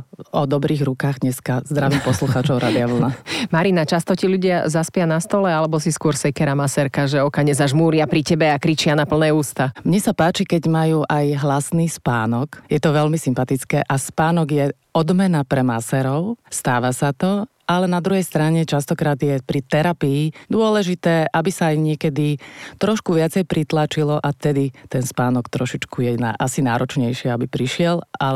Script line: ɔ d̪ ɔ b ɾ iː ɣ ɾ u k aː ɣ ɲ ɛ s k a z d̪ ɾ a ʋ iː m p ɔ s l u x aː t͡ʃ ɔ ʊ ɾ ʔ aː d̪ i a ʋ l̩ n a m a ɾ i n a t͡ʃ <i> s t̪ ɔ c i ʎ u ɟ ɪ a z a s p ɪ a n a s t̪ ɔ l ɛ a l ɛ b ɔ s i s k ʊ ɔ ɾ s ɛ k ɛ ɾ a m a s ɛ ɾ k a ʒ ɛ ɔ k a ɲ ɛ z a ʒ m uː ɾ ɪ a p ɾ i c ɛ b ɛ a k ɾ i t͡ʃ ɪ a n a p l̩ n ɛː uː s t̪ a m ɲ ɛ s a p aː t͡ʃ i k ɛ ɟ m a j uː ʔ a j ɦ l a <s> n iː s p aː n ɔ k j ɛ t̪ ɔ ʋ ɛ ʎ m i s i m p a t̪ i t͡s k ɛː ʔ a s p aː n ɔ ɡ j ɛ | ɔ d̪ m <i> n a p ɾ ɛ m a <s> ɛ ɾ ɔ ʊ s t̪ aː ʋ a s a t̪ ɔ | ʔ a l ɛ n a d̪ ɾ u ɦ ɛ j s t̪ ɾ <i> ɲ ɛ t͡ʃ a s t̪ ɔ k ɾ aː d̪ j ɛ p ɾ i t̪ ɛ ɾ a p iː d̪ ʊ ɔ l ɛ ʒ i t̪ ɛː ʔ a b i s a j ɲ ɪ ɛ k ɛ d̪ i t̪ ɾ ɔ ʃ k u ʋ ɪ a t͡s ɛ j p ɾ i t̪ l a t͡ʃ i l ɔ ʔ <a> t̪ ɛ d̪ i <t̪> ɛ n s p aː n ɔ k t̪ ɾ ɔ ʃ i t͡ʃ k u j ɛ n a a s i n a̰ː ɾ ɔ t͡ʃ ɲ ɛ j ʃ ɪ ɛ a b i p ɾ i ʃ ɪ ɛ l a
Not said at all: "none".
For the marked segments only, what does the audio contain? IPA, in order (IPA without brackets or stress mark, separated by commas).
a, s, ɛ, s, a, a, t̪